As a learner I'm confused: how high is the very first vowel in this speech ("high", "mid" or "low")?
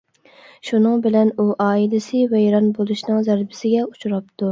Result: high